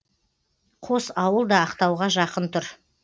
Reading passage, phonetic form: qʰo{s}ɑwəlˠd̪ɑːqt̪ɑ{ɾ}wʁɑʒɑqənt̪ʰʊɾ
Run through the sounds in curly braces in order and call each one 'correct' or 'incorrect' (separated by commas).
correct, incorrect